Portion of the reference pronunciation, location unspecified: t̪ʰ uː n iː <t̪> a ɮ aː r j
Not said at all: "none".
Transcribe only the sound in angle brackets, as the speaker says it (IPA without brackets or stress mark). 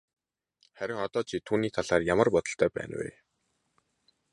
t̪ʰ